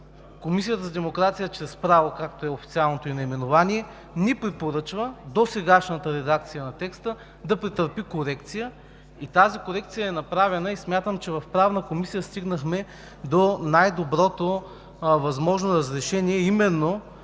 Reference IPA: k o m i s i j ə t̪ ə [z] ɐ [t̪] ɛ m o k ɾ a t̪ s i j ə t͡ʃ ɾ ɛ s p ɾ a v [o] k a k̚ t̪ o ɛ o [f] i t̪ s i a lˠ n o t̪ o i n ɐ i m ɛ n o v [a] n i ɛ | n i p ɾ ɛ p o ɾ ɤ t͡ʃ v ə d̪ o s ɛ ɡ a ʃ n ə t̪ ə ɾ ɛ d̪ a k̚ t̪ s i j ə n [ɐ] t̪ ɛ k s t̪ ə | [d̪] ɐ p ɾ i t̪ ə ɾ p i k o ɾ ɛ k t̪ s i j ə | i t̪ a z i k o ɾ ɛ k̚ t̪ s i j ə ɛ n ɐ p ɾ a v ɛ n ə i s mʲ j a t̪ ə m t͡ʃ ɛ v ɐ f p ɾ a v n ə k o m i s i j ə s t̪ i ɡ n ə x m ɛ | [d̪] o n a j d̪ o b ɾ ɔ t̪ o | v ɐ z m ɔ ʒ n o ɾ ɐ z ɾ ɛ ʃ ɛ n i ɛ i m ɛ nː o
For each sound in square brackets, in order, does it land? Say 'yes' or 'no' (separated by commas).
yes, no, yes, yes, yes, yes, yes, yes